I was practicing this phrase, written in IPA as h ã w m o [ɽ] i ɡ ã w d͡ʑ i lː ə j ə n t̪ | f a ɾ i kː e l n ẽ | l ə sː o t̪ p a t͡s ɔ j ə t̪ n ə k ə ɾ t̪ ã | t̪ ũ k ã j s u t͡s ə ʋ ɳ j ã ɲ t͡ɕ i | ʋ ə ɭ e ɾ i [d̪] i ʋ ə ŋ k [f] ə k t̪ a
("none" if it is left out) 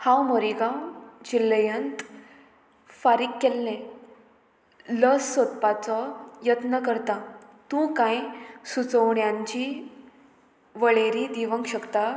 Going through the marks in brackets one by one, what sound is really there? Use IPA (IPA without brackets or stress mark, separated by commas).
ɾ, d̪, ɕ